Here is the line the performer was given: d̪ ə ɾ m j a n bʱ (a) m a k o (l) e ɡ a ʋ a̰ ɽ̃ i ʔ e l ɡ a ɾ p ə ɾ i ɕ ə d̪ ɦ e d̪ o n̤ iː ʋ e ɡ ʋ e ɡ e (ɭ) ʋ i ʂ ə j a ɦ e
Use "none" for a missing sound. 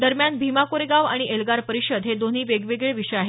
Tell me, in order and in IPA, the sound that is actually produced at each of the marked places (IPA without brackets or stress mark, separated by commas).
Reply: i, ɾ, ɭ